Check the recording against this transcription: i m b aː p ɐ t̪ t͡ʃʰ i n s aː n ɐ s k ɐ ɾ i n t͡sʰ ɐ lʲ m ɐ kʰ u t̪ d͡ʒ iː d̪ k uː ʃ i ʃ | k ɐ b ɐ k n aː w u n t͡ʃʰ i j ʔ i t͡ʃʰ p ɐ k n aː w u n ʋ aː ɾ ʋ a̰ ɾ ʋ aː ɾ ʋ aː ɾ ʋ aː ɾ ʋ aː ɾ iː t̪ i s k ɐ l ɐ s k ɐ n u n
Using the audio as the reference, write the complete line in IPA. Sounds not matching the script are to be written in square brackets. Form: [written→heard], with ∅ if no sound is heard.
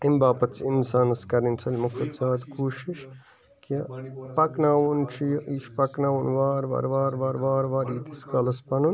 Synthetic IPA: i m b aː p ɐ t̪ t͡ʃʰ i n s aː n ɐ s k ɐ ɾ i n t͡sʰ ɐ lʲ m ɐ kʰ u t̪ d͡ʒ [iː→aː] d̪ k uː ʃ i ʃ | k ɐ [b→p] ɐ k n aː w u n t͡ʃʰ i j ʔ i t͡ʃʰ p ɐ k n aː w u n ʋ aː ɾ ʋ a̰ ɾ ʋ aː ɾ ʋ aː ɾ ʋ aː ɾ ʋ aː ɾ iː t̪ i s k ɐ l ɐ s [k→p] ɐ n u n